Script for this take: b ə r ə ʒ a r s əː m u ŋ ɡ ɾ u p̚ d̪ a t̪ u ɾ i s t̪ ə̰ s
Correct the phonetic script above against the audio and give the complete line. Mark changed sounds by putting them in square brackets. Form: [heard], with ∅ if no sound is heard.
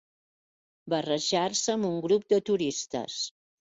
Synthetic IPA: b ə r ə ʒ a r s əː m u ŋ ɡ ɾ u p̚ d̪ [ə] t̪ u ɾ i s t̪ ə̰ s